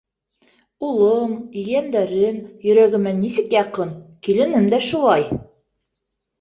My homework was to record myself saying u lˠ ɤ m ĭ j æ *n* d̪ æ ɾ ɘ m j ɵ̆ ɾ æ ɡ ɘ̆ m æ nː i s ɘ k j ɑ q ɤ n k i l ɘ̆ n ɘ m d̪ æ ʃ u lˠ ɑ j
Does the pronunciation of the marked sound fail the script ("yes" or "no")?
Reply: no